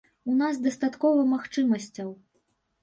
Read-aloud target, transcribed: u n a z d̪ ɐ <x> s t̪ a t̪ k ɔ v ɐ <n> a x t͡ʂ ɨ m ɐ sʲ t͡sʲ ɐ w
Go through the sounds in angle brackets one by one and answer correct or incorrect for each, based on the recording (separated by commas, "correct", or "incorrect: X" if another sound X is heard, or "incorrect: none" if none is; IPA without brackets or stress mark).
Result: incorrect: none, incorrect: m